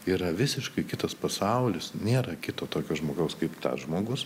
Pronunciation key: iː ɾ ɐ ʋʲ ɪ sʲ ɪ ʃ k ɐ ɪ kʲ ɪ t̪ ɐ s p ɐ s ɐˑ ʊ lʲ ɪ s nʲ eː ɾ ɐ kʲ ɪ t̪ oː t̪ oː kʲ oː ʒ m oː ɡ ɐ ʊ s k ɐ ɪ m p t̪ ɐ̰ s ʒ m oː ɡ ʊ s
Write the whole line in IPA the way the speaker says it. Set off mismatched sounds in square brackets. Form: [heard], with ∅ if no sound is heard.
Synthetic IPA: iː ɾ ɐ ʋʲ ɪ sʲ ɪ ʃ k ɐ ɪ kʲ ɪ t̪ ɐ s p ɐ s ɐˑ ʊ lʲ ɪ s nʲ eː ɾ ɐ kʲ ɪ t̪ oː t̪ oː kʲ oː ʒ m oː ɡ ɐ ʊ s k ɐ ɪ [∅] p t̪ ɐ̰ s ʒ m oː ɡ ʊ s